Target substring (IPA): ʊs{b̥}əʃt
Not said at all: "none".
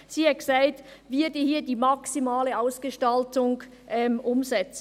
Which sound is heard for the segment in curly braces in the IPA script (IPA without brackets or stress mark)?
ɡ̥